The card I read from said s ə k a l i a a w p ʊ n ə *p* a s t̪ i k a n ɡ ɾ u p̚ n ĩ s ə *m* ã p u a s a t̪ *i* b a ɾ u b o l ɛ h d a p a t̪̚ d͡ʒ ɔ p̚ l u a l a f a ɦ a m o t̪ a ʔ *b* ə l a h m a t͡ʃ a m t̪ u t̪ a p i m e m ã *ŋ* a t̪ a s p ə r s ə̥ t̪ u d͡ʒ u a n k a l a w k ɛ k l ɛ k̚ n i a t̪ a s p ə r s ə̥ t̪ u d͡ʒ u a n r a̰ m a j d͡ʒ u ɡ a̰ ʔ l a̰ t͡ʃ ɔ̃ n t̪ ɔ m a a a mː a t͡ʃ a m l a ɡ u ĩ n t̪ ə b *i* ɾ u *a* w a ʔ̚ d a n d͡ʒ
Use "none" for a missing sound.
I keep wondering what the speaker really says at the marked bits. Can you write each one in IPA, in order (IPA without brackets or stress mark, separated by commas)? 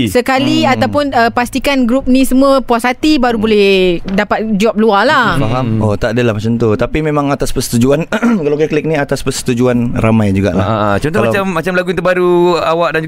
p, m, i, d, ŋ, a, a